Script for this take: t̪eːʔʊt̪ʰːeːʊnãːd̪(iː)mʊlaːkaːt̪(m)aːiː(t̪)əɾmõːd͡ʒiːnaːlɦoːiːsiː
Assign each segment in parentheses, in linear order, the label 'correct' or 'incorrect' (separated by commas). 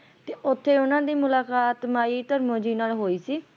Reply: correct, correct, correct